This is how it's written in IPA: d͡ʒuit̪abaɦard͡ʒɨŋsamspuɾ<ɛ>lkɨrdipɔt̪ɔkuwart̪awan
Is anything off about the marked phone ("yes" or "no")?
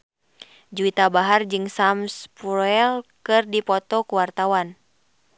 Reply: no